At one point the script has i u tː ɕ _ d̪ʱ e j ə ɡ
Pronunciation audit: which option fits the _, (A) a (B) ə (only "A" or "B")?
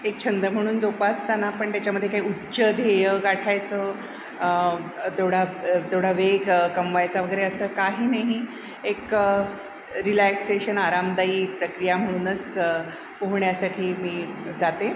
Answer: B